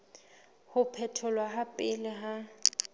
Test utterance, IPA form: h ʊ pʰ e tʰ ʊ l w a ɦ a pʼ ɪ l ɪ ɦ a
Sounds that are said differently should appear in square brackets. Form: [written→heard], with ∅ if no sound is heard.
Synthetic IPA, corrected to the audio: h ʊ pʰ [e→ɛ] tʰ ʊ l w a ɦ a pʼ ɪ l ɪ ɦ a

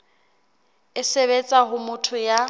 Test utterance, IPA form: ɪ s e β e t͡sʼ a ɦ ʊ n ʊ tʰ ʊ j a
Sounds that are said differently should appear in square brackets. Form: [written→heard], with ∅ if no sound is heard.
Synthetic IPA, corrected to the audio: ɪ s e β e t͡sʼ a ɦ ʊ [n→m] ʊ tʰ ʊ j a

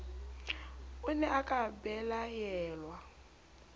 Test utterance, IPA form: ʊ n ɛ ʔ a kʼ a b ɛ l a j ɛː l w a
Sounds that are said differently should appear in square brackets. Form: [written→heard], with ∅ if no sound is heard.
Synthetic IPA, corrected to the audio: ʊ n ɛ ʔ a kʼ a b ɛ l a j ɛː l w a

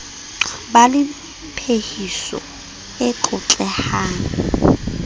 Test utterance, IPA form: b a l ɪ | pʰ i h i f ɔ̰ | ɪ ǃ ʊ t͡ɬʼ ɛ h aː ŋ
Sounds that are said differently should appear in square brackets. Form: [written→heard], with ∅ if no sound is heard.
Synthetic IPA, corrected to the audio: b a l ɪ | pʰ [i→e] h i [f→s] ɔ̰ | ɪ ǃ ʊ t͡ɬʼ ɛ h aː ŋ

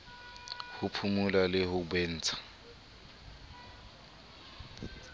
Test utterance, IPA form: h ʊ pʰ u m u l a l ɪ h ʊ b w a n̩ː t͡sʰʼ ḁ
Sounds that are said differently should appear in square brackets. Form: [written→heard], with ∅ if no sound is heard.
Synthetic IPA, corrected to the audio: h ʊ pʰ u m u l a l ɪ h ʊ b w [a→e] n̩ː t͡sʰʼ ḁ

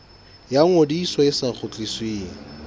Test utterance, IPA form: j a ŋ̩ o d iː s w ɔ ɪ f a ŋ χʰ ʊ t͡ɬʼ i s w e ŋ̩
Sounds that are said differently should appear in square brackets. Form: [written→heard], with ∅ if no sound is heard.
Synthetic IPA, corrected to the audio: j a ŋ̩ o d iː s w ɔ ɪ [f→s] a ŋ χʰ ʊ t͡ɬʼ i s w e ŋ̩

